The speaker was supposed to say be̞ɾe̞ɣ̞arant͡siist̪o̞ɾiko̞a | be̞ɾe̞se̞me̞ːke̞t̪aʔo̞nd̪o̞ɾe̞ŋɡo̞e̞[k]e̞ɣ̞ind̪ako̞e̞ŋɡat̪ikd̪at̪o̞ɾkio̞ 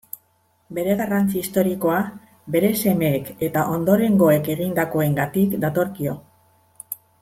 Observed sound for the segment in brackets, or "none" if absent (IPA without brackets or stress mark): k